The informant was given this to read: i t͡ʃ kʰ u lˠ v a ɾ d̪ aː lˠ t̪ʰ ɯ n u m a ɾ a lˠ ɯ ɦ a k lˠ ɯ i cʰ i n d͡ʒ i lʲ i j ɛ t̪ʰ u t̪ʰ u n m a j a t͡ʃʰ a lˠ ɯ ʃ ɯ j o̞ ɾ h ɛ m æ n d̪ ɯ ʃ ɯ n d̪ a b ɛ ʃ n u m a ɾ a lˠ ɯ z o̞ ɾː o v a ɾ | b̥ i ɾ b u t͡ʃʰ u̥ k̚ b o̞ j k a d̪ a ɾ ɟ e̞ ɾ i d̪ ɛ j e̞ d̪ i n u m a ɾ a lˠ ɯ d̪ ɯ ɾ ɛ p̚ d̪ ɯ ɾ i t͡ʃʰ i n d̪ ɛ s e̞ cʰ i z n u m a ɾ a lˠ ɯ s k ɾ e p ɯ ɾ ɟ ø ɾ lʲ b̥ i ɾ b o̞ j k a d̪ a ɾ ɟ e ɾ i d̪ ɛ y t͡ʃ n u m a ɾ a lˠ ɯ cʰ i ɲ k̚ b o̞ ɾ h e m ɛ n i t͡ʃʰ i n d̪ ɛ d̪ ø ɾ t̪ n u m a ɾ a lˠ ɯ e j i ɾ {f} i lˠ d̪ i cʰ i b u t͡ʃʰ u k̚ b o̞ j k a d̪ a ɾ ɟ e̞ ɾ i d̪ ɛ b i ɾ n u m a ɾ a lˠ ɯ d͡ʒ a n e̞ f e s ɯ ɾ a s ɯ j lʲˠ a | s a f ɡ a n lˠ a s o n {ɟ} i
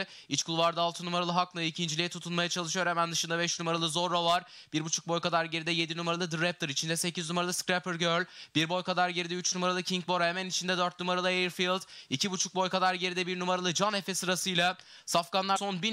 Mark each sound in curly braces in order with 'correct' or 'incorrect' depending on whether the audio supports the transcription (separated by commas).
correct, incorrect